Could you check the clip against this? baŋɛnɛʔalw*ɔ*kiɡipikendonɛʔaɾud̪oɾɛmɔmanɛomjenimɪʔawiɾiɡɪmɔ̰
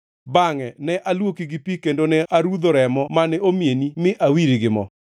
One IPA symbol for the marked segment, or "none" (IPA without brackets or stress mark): o